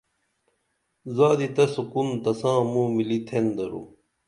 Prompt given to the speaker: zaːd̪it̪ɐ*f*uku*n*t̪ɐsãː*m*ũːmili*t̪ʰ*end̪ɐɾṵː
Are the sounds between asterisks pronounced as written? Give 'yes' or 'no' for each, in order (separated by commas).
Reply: no, yes, yes, yes